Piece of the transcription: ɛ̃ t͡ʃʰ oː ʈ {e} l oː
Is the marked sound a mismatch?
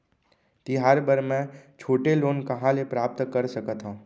no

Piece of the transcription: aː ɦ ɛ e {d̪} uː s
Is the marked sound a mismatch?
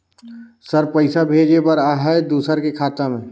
no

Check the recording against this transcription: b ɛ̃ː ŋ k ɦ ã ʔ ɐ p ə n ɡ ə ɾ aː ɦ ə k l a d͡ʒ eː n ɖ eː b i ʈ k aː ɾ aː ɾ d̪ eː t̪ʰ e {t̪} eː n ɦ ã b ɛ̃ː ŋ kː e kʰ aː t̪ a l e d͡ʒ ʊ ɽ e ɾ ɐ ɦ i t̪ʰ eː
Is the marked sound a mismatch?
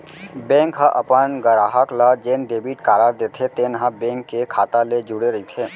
no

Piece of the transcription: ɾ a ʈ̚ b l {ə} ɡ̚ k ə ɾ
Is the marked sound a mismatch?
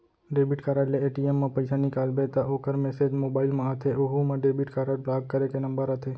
yes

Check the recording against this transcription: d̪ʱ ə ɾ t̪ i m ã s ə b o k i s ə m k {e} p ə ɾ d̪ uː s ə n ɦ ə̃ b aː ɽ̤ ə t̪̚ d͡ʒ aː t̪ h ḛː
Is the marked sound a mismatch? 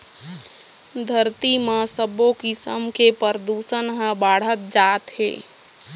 no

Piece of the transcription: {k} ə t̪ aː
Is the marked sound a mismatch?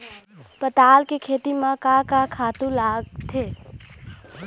yes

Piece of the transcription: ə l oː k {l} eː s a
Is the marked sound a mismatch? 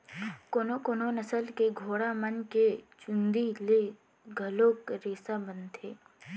yes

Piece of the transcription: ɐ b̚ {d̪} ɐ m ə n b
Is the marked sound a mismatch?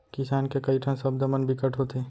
no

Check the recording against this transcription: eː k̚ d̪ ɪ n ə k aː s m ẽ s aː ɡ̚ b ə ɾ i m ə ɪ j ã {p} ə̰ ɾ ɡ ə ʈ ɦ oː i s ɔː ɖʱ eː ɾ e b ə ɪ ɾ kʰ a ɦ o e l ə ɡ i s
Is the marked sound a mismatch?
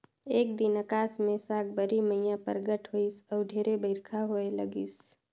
no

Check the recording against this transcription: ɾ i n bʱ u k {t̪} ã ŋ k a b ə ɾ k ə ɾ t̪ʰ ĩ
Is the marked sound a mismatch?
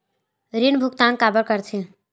no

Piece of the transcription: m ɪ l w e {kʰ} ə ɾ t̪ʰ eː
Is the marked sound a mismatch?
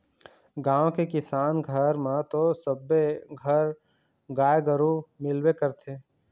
yes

